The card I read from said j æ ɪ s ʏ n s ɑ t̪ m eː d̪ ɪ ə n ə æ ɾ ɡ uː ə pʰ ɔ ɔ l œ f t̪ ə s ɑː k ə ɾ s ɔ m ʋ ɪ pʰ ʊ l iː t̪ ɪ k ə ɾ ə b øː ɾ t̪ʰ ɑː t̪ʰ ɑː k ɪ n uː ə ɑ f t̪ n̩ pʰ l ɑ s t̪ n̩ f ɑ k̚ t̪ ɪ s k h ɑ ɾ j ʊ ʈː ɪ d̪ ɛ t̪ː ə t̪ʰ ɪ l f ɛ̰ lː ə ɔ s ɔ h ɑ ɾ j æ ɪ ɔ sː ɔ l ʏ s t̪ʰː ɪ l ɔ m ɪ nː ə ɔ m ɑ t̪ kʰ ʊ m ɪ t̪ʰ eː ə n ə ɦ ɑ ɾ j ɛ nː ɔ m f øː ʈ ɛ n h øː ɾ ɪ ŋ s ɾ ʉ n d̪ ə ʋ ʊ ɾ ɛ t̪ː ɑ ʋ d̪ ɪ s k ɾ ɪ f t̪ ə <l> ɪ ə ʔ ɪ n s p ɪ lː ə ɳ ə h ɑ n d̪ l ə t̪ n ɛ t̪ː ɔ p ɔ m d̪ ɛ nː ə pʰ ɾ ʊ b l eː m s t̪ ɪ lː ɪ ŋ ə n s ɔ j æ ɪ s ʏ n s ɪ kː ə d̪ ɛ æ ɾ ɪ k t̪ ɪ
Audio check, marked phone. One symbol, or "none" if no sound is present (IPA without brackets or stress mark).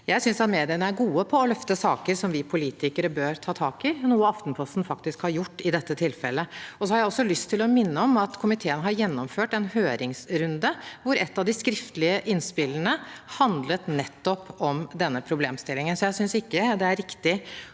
l